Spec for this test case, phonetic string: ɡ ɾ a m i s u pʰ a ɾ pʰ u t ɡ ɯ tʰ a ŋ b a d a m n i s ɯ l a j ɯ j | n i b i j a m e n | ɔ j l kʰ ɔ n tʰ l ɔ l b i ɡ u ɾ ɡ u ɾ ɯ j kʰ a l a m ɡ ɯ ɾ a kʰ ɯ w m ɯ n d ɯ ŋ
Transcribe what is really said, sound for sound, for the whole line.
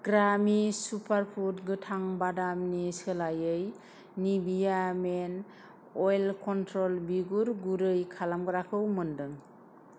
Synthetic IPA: ɡ ɾ a m i s u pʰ a ɾ pʰ u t ɡ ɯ tʰ a ŋ b a d a m n i s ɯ l a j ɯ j | n i b i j a m e n | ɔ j l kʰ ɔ n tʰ ɾ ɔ l b i ɡ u ɾ ɡ u ɾ ɯ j kʰ a l a m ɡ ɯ ɾ a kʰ ɯ w m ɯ n d ɯ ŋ